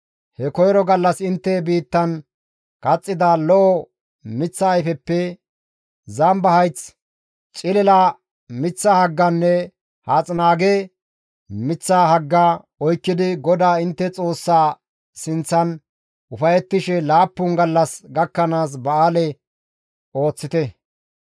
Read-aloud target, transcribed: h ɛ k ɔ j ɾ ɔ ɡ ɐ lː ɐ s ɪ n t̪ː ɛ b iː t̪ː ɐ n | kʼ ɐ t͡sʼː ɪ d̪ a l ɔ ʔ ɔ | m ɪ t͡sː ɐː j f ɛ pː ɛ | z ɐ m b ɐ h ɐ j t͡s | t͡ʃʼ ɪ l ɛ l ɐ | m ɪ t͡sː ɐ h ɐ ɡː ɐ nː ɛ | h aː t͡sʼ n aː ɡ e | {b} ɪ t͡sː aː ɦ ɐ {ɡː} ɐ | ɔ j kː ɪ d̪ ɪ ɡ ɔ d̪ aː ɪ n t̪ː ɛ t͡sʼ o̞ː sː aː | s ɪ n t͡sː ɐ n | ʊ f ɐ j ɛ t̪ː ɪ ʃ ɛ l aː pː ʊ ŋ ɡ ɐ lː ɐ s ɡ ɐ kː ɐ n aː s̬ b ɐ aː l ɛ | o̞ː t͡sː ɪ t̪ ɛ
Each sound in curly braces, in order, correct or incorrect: incorrect: m, correct

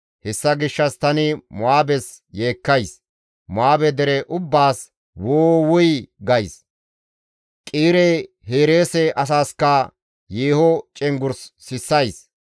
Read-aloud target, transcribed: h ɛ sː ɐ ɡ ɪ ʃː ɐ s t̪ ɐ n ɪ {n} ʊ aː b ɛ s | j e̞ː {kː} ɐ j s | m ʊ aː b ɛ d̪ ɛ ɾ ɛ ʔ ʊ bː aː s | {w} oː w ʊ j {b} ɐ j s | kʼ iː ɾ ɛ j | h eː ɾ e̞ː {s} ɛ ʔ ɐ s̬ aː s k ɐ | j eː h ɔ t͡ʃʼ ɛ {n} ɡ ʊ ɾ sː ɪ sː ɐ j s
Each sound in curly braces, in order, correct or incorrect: incorrect: m, correct, correct, incorrect: ɡ, correct, incorrect: ŋ

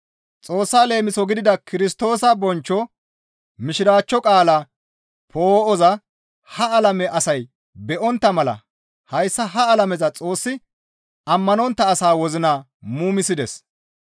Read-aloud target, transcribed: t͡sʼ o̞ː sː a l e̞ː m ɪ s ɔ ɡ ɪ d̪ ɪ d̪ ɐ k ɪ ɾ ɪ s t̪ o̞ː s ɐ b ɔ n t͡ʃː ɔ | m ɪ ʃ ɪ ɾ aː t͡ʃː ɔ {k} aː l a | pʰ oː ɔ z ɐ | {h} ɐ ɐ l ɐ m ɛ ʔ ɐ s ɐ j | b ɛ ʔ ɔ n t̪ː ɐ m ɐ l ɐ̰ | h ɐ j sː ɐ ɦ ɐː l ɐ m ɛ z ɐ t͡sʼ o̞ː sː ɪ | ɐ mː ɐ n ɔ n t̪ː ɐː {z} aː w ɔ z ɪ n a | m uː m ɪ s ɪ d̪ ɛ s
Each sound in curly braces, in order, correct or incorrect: incorrect: kʼ, correct, incorrect: s

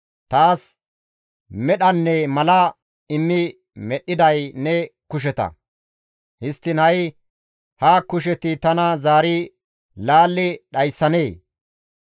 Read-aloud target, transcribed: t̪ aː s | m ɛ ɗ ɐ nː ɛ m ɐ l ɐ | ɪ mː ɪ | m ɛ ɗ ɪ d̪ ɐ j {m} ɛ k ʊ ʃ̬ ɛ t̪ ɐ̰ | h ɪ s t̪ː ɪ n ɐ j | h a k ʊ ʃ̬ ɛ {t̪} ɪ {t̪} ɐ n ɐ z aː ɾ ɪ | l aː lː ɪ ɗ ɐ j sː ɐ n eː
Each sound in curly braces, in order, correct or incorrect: incorrect: n, correct, correct

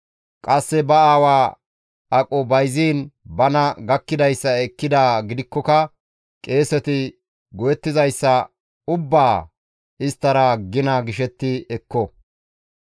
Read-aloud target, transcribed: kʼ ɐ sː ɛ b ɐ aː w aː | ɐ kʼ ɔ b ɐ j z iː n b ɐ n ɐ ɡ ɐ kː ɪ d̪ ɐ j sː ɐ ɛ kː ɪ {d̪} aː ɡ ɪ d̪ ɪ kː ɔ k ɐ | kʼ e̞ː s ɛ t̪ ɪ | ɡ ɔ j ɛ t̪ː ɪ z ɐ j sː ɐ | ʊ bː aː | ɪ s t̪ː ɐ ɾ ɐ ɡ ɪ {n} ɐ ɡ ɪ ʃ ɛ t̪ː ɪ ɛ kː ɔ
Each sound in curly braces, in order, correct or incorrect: correct, correct

